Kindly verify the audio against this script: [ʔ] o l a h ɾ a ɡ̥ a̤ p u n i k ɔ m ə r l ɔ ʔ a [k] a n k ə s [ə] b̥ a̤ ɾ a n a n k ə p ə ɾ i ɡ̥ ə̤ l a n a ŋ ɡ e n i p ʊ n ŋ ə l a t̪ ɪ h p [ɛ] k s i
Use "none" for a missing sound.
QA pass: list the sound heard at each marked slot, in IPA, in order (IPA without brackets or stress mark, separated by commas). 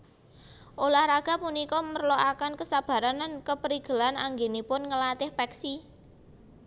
ʔ, k, a, ɛ